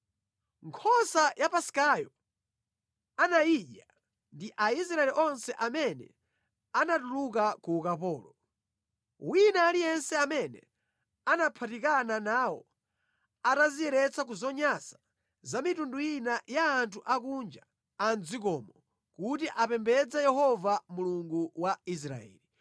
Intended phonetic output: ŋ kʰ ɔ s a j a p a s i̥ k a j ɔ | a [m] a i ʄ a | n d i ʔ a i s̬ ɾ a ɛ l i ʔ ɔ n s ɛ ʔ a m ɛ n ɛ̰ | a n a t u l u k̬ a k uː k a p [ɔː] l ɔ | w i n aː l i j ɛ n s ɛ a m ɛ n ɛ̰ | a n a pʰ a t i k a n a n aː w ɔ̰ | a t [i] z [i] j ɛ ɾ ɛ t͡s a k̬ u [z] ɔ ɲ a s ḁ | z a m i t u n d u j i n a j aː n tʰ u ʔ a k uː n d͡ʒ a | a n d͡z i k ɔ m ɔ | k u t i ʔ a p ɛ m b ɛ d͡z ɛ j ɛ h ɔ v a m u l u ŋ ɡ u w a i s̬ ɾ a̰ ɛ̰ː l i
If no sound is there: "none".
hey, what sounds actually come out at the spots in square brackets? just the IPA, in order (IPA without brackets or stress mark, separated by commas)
n, ɔː, a, i, z